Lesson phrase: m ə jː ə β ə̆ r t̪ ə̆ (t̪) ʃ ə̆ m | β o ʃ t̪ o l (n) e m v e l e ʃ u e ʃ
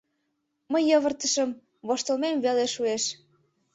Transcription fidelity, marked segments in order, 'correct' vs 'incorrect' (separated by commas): incorrect, incorrect